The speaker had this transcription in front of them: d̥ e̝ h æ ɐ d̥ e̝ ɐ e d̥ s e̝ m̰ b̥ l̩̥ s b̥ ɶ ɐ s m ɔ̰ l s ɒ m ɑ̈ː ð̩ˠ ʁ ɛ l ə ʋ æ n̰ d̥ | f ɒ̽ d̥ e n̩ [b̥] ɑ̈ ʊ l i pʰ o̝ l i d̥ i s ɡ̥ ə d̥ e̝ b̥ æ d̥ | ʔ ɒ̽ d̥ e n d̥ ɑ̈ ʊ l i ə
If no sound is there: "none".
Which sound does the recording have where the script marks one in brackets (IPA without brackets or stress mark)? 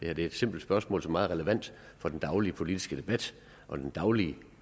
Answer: d̥